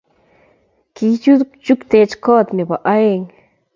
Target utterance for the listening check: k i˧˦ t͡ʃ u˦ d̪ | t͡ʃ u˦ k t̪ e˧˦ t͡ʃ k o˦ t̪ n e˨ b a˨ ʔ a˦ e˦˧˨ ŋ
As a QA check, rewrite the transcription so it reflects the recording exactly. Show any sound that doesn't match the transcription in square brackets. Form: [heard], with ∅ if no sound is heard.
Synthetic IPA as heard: k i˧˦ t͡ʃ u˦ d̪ | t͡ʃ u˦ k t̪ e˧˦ t͡ʃ k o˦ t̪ n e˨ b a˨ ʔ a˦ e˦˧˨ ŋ